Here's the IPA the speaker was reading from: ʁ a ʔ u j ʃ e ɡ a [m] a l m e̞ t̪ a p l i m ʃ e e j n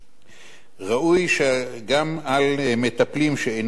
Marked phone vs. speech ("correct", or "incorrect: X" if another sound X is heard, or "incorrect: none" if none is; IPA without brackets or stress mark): correct